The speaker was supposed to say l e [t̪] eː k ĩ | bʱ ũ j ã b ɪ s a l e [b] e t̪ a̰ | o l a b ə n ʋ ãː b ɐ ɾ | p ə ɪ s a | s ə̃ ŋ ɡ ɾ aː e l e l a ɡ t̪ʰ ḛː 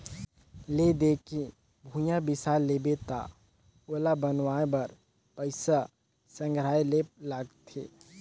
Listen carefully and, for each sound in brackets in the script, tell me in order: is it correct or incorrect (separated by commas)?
incorrect, correct